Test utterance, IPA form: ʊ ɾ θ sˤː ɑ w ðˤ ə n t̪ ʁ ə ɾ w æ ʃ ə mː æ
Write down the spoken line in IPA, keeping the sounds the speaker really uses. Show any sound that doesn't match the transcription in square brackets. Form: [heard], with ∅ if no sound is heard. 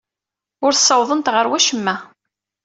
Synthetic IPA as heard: ʊ ɾ θ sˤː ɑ w ðˤ ə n t̪ ʁ ə ɾ w æ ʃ ə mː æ